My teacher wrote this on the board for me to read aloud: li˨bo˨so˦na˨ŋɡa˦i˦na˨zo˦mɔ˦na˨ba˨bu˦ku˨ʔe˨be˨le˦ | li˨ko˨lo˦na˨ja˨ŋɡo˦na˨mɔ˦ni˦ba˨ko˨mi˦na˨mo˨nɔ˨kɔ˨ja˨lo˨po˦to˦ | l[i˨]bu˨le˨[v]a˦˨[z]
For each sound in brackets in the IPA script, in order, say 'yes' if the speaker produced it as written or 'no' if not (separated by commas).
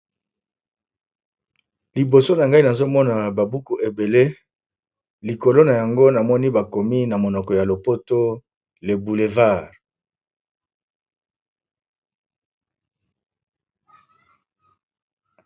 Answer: no, yes, no